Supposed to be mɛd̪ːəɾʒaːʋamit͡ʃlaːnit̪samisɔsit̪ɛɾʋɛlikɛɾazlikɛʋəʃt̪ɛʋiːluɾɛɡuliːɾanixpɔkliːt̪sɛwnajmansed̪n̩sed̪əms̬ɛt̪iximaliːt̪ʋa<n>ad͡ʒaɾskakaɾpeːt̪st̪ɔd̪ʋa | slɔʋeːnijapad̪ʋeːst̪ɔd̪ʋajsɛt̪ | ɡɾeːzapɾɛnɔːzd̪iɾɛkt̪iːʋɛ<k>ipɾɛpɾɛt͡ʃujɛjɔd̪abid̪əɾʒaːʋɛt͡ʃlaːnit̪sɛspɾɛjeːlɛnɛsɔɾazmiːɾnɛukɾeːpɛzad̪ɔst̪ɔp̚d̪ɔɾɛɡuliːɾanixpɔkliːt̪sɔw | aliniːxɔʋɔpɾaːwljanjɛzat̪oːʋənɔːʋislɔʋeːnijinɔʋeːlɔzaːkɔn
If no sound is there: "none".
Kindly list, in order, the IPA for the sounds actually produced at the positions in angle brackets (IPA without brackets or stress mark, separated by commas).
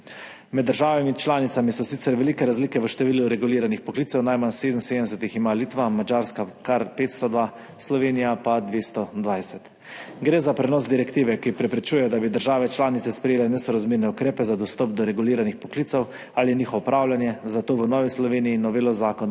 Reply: m, k